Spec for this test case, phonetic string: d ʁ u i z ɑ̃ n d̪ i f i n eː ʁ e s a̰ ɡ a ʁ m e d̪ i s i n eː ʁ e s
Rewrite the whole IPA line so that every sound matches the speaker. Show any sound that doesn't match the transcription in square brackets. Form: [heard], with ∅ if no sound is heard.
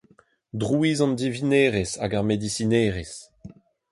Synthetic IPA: d ʁ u i z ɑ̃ n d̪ i [v] i n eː ʁ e s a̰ ɡ a ʁ m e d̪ i s i n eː ʁ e s